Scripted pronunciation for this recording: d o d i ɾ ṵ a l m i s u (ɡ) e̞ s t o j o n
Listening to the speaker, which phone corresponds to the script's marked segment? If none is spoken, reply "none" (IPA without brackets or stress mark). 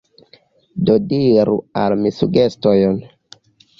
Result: ɡ